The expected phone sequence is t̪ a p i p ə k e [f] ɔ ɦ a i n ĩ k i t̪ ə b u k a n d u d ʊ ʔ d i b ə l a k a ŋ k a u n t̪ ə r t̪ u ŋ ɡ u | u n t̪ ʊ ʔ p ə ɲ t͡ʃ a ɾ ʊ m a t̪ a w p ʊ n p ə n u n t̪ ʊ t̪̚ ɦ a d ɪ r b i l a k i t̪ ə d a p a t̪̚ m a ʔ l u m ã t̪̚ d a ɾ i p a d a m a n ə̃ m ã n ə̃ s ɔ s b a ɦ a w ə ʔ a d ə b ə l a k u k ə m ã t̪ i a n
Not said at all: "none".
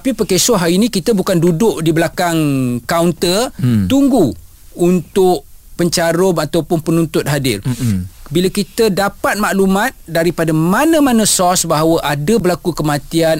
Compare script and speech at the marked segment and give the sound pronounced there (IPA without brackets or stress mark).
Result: s